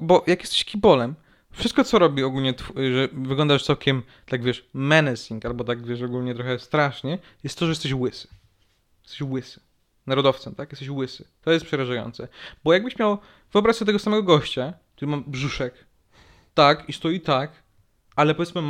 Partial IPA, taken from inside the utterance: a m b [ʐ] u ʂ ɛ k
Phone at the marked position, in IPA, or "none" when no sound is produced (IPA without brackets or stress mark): ʐ